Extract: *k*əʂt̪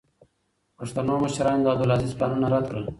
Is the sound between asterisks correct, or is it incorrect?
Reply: incorrect